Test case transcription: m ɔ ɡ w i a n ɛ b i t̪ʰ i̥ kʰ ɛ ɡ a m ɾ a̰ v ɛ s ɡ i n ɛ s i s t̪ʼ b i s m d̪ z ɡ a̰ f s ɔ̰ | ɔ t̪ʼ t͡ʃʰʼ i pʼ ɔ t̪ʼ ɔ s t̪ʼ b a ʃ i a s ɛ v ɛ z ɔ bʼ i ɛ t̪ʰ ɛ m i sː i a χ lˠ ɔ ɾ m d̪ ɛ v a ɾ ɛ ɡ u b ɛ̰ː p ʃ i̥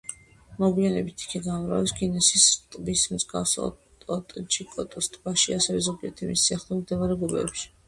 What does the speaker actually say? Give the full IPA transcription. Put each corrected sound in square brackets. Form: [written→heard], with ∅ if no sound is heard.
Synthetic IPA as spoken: m ɔ ɡ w i a n ɛ b i t̪ʰ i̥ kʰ ɛ ɡ a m ɾ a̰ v ɛ s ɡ i n ɛ s i s t̪ʼ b i s m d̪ z ɡ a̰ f s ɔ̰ | ɔ t̪ʼ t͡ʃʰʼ i [pʼ→kʼ] ɔ t̪ʼ ɔ s t̪ʼ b a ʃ i a s ɛ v ɛ z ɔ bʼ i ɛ t̪ʰ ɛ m i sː i a χ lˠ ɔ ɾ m d̪ ɛ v a ɾ ɛ ɡ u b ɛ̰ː p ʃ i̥